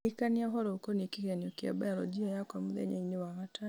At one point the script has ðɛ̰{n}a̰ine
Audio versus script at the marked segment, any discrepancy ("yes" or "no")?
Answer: yes